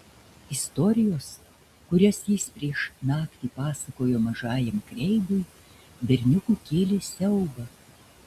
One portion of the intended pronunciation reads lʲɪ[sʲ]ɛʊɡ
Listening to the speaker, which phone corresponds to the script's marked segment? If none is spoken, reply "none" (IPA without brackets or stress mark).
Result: sʲ